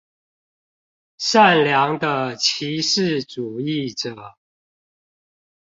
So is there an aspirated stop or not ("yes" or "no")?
yes